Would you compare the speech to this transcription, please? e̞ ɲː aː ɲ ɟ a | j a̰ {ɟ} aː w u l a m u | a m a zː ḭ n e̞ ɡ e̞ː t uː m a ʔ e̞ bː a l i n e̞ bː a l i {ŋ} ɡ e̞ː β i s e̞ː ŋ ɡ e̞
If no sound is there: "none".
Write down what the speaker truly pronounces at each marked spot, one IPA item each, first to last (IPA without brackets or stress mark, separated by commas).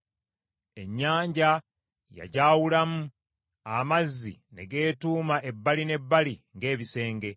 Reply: ɟ, ŋ